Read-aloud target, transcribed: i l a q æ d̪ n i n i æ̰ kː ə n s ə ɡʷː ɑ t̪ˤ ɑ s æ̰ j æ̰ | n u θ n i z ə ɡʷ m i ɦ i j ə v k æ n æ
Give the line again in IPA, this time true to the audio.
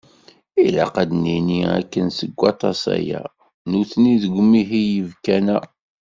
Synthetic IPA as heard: i l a q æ d̪ n i n i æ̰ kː ə n s ə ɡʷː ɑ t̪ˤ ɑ s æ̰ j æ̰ | n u θ n i ð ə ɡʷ m i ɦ i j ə v k æ n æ